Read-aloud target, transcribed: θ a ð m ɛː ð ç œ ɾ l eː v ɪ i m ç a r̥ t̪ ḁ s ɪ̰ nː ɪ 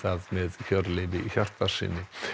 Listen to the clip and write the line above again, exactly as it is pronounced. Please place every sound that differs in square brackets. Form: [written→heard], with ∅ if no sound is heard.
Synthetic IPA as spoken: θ a ð m [ɛː→ɛ] ð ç œ ɾ l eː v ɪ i [m→∅] ç a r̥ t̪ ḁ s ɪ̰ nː ɪ

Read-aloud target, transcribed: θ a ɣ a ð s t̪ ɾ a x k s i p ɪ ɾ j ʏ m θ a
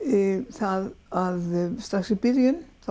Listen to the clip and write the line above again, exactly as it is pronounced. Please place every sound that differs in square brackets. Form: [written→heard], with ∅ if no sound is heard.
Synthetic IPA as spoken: θ a [ɣ→ð] a ð s t̪ ɾ a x k s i p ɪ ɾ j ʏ [m→n] θ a

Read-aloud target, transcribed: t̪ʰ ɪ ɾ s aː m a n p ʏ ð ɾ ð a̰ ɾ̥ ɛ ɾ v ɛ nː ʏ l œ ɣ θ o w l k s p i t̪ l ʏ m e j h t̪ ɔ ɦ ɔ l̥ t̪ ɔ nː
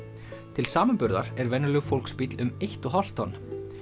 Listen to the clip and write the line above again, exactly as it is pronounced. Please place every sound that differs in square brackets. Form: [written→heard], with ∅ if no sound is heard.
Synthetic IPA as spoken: t̪ʰ ɪ [ɾ→l] s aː m a n p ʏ [ð→∅] ɾ ð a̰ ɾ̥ ɛ ɾ v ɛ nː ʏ l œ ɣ [θ→f] o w l k s p i t̪ l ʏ m e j h t̪ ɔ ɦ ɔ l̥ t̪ ɔ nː

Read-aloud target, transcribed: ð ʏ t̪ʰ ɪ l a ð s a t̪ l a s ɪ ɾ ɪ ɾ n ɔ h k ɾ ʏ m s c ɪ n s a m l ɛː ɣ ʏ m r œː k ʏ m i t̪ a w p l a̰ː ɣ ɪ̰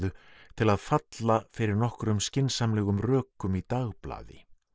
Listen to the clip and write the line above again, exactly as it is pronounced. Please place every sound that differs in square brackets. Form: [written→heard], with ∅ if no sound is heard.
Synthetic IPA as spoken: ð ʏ t̪ʰ ɪ l a ð [s→f] a t̪ l a [s→f] ɪ ɾ ɪ ɾ n ɔ h k ɾ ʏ m s c ɪ n s a m l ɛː ɣ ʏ m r œː k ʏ m i t̪ a [w→ɣ] p l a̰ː [ɣ→ð] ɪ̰

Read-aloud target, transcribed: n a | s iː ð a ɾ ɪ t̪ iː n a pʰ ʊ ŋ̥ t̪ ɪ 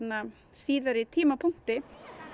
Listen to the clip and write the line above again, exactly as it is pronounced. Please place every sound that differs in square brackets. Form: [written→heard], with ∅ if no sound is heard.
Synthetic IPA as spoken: n a | s iː ð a ɾ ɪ [t̪→t̪ʰ] iː [n→m] a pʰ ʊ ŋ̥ t̪ ɪ

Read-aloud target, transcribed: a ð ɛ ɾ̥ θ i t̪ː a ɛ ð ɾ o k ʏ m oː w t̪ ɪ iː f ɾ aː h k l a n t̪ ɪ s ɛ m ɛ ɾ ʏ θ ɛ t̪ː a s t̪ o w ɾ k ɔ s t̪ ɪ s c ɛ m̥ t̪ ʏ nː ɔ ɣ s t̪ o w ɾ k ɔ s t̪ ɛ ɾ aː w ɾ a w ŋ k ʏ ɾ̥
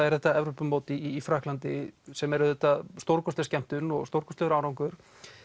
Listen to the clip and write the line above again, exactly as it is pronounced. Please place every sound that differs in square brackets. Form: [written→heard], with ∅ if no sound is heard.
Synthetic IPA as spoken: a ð ɛ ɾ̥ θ [i→ɛ] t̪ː a ɛ [ð→v] ɾ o [k→p] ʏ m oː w t̪ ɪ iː f ɾ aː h k l a n t̪ ɪ s ɛ m ɛ ɾ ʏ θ ɛ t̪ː a s t̪ o w ɾ k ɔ s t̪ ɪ s c ɛ m̥ t̪ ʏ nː ɔ ɣ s t̪ o w ɾ k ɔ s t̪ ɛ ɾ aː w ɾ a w ŋ k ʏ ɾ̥

